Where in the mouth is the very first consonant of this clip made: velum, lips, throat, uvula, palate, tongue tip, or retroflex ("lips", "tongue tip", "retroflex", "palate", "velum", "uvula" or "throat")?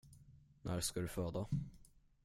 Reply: tongue tip